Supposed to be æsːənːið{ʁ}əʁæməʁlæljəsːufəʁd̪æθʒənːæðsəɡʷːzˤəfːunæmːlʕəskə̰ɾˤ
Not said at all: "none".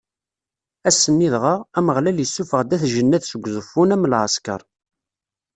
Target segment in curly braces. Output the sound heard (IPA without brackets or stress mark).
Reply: ʁ